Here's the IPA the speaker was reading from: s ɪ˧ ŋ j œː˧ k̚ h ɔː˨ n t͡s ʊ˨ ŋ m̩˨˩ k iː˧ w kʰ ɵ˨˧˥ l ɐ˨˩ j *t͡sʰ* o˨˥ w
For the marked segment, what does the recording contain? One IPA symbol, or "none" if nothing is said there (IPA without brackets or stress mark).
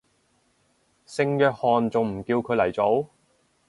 t͡s